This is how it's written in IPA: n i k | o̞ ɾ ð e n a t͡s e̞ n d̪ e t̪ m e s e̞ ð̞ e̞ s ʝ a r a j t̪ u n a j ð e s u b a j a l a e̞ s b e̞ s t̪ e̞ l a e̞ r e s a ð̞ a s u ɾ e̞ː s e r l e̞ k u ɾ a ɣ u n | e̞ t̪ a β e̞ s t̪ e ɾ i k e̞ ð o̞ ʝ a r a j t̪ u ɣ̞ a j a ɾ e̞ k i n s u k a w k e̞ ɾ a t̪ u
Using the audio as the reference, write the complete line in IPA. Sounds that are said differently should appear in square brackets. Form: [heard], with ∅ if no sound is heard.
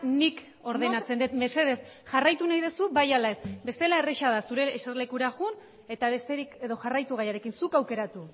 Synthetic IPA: n i k | o̞ ɾ ð e n a t͡s e̞ n d̪ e t̪ m e s e̞ ð̞ e̞ s ʝ a r a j t̪ u n a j ð e s u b a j a l a e̞ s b e̞ s t̪ e̞ l a e̞ r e [ʃ] a ð̞ a s u ɾ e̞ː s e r l e̞ k u ɾ a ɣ u n | e̞ t̪ a β e̞ s t̪ e ɾ i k e̞ ð o̞ ʝ a r a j t̪ u ɣ̞ a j a ɾ e̞ k i n s u k a w k e̞ ɾ a t̪ u

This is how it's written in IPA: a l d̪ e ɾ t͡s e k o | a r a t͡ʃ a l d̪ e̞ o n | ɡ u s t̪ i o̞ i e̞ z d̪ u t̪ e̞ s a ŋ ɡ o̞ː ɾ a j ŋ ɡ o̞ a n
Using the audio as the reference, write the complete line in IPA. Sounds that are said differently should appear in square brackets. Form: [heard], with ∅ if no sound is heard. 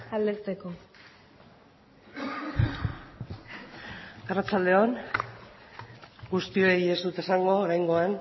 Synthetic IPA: a l d̪ e ɾ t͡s e k o | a r a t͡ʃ a l d̪ e̞ o n | ɡ u s t̪ i o̞ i e̞ z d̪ u t̪ e̞ s a ŋ ɡ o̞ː ɾ a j ŋ ɡ o̞ a n

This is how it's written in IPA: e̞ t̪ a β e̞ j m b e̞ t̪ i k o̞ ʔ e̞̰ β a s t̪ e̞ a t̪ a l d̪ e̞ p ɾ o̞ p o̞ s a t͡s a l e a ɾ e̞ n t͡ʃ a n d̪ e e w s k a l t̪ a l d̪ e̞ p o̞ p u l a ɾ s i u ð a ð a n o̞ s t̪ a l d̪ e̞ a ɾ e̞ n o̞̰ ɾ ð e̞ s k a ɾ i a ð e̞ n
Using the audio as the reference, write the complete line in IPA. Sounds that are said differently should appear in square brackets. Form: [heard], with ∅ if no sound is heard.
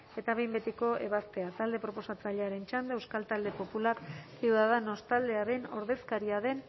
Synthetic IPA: e̞ t̪ a β e̞ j m b e̞ t̪ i k o̞ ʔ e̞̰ β a s t̪ e̞ a t̪ a l d̪ e̞ p ɾ o̞ p o̞ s a t͡s a [ʎ] e a ɾ e̞ n t͡ʃ a n d̪ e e w s k a l t̪ a l d̪ e̞ p o̞ p u l a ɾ s i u ð a ð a n o̞ s t̪ a l d̪ e̞ a ɾ e̞ n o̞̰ ɾ ð e̞ s k a ɾ i a ð e̞ n

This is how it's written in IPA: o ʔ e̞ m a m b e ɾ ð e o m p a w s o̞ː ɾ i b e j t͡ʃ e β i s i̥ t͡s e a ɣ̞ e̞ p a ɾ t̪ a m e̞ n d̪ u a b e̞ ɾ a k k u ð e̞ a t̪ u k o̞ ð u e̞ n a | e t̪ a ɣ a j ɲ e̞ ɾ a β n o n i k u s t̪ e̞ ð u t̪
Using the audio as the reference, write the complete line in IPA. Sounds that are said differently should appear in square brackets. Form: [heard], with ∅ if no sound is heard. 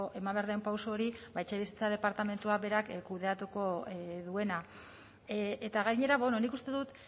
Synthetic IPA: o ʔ e̞ m a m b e ɾ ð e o m p a w s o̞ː ɾ i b [a] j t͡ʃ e β i s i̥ t͡s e a [ð̞] e̞ p a ɾ t̪ a m e̞ n [t̪] u a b e̞ ɾ a k k u ð e̞ a t̪ u k o̞ ð u e̞ n a | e t̪ a ɣ a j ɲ e̞ ɾ a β n o n i k u s t̪ e̞ ð u t̪

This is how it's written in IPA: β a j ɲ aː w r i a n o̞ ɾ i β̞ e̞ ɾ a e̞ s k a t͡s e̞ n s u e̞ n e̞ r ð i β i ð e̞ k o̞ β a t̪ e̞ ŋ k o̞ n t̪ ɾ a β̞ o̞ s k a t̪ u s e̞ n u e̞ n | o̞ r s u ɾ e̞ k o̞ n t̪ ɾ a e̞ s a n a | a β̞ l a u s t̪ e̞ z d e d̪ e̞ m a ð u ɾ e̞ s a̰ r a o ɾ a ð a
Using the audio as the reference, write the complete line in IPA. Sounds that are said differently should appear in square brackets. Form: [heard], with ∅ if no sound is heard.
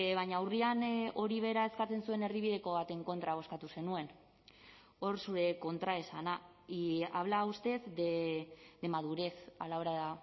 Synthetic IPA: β a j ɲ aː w r i a n o̞ ɾ i β̞ e̞ ɾ a e̞ s k a t͡s e̞ n s u e̞ n e̞ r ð i β i ð e̞ k o̞ β a t̪ e̞ ŋ k o̞ n t̪ ɾ a β̞ o̞ s k a t̪ u s e̞ n u e̞ n | o̞ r s u ɾ e̞ k o̞ n t̪ ɾ a e̞ s a n a | a β̞ l a u s t̪ e̞ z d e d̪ e̞ m a ð u ɾ e̞ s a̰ [l] a o ɾ a ð a

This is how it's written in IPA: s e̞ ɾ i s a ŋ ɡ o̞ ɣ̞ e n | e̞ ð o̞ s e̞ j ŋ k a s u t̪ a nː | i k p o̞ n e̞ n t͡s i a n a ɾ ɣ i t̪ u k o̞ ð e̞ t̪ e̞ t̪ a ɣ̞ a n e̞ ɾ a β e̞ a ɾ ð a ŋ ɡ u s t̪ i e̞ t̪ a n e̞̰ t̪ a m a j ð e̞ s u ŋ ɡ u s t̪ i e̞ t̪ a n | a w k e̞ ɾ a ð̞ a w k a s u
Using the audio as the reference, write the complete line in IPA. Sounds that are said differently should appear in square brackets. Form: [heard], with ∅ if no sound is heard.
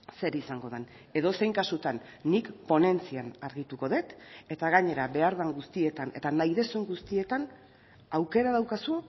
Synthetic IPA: s e̞ ɾ i s a ŋ ɡ o̞ [ð̞] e n | e̞ ð o̞ s e̞ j ŋ k a s u t̪ a nː | i k p o̞ n e̞ n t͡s i a n a ɾ ɣ i t̪ u k o̞ ð e̞ t̪ e̞ t̪ a ɣ̞ a [ɲ] e̞ ɾ a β e̞ a ɾ ð a ŋ ɡ u s t̪ i e̞ t̪ a n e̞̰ t̪ a [n] a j ð e̞ s u ŋ ɡ u s t̪ i e̞ t̪ a n | a w k e̞ ɾ a ð̞ a w k a s u

